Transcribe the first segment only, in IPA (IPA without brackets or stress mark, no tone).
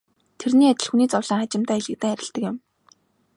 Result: t̪ʰ